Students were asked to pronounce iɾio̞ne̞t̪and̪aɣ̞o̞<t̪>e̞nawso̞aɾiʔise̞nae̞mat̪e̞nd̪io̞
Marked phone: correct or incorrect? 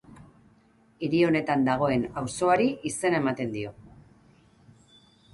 incorrect